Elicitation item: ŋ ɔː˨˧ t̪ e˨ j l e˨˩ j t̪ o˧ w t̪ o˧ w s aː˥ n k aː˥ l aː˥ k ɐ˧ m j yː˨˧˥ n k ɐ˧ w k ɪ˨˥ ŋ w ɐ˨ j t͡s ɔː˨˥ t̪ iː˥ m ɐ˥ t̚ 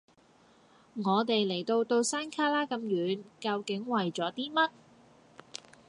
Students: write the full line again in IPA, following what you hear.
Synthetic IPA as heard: ŋ ɔː˨˧ t̪ e˨ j l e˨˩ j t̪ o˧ w t̪ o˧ w s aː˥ n kʰ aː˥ l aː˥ k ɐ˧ m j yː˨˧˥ n k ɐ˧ w k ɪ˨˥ ŋ w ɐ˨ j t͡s ɔː˨˥ t̪ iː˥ m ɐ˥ t̚